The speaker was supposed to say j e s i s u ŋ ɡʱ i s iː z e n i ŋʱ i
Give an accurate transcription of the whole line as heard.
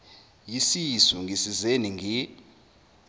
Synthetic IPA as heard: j i s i s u ŋ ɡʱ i s i z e n i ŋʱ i